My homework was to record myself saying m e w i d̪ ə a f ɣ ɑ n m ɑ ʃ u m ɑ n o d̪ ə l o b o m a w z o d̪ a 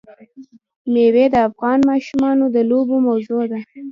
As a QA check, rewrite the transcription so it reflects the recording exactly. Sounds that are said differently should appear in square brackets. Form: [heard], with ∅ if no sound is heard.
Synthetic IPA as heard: m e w [e] d̪ ə a f ɣ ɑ n m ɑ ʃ u m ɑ n o d̪ ə l o b o m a w z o d̪ a